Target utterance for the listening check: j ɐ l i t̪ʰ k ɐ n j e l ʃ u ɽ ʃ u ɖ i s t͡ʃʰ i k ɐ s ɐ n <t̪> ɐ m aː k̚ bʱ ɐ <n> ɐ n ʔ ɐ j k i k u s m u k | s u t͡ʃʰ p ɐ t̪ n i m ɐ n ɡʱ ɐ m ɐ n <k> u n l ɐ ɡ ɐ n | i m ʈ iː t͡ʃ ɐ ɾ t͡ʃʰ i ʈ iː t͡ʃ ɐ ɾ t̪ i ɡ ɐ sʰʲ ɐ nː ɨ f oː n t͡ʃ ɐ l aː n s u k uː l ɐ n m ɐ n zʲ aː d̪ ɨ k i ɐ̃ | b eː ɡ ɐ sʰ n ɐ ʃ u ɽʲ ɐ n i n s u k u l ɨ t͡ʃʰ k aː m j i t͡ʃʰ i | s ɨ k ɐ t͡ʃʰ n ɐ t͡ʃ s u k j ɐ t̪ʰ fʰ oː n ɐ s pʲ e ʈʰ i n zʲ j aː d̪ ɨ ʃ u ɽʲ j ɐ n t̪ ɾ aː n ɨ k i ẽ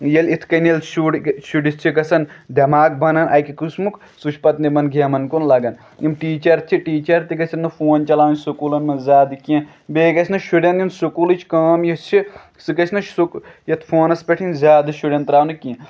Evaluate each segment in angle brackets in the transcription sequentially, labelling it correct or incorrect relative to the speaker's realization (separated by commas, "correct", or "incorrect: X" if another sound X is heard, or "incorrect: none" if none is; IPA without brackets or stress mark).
incorrect: d̪, correct, correct